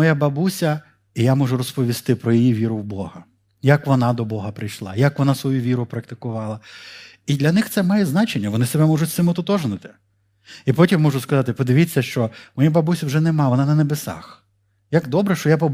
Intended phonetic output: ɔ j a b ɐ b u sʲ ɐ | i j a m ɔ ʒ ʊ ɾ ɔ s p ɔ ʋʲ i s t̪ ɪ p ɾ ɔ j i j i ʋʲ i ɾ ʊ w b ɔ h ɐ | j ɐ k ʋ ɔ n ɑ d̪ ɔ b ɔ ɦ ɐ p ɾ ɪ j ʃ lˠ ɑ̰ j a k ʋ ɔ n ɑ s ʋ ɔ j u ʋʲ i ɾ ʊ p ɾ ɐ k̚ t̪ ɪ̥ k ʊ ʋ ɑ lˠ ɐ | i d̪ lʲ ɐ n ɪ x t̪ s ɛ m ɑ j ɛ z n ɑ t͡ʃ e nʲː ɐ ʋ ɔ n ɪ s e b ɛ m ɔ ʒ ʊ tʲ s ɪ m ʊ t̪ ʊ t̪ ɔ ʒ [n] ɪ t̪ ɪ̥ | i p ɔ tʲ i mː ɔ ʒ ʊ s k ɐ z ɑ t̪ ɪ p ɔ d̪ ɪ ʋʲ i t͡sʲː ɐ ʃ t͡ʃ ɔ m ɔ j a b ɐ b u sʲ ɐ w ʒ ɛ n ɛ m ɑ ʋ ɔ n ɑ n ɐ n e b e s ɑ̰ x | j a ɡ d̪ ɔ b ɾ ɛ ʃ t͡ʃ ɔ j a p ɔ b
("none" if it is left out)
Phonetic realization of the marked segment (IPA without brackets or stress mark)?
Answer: n